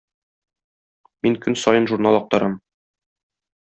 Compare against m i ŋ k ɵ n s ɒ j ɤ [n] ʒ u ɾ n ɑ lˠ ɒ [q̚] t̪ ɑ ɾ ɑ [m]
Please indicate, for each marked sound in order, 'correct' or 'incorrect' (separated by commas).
correct, correct, correct